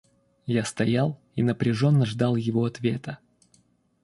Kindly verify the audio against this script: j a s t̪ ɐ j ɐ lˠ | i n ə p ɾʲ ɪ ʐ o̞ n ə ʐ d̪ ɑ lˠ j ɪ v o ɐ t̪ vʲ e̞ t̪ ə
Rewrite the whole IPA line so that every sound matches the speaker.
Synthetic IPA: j a s t̪ ɐ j a lˠ | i n ə p ɾʲ ɪ ʐ o̞ nː ə ʐ d̪ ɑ lˠ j ɪ v o ɐ t̪ vʲ e̞ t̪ ə